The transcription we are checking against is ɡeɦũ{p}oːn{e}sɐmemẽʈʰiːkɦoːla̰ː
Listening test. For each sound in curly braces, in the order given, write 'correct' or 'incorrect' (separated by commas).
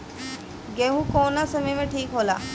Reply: incorrect, incorrect